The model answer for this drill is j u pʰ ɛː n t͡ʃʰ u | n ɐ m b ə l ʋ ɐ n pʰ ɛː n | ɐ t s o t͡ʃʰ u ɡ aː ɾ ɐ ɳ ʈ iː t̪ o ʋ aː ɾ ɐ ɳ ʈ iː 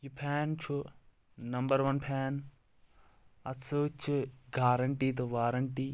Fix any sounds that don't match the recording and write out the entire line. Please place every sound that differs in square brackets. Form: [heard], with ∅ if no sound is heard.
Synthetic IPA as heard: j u pʰ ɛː n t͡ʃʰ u | n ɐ m b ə [ɾ] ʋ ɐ n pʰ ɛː n | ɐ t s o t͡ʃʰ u ɡ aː ɾ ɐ ɳ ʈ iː t̪ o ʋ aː ɾ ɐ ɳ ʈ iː